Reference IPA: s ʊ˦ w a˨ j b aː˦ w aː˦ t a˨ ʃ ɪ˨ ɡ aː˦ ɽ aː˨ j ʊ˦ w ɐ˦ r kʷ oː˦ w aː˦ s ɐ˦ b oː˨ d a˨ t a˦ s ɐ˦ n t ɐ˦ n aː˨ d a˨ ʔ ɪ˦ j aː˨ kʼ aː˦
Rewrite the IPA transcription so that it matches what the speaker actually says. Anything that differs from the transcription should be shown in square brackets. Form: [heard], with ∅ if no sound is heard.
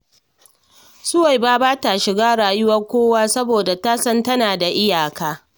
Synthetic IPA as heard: s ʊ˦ w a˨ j b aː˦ [b] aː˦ t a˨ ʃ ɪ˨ ɡ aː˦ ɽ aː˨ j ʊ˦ w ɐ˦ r kʷ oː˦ w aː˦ s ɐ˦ b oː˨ d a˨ t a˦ s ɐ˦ n t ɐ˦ n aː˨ d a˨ ʔ ɪ˦ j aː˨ [k] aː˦